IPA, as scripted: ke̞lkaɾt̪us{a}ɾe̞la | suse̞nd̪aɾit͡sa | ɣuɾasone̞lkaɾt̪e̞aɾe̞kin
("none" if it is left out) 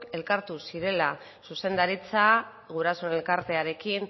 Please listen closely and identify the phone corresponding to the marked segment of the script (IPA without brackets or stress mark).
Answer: i